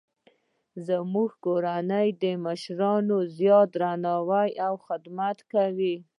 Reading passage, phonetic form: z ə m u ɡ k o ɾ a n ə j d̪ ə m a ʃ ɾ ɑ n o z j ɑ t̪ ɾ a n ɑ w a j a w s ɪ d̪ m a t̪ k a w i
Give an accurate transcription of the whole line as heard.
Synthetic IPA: z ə m u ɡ k o ɾ a n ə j d̪ ə m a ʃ ɾ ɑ n o z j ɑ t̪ ɾ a n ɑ w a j a w x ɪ d̪ m a t̪ k a w i